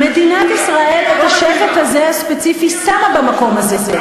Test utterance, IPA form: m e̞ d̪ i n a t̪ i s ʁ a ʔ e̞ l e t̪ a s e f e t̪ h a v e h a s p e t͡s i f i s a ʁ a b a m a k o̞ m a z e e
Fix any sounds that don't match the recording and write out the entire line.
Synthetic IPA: m e̞ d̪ i n a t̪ i s ʁ a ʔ e̞ l e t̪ a ʃ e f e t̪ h a z e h a s p e t͡s i f i s a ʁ a b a m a k o̞ m a z e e